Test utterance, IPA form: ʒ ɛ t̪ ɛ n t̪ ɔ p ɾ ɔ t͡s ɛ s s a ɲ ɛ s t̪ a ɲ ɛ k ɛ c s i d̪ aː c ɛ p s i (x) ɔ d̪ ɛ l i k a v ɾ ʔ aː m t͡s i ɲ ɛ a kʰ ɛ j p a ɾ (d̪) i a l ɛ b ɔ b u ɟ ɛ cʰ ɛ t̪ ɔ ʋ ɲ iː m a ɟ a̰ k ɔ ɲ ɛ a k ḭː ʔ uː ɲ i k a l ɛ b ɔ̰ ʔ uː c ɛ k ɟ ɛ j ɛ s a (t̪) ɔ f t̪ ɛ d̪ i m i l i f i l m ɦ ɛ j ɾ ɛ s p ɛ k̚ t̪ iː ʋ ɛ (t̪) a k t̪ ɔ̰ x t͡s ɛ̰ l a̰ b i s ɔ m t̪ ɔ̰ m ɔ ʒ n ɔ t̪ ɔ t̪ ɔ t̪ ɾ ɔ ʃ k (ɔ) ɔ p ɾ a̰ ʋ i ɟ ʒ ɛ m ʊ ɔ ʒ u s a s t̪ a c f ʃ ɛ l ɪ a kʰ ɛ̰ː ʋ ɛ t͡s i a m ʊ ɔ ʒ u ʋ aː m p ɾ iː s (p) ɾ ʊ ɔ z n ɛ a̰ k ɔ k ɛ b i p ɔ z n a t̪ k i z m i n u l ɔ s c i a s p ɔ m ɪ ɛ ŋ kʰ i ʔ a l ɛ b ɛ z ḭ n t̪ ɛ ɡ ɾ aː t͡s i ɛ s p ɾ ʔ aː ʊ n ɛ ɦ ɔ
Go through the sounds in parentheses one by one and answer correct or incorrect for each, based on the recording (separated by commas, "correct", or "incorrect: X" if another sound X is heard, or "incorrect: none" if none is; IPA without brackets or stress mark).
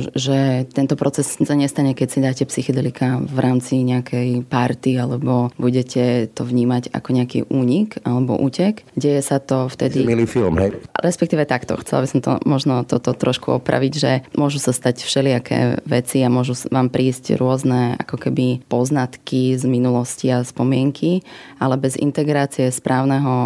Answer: correct, incorrect: t̪, correct, correct, incorrect: u, incorrect: c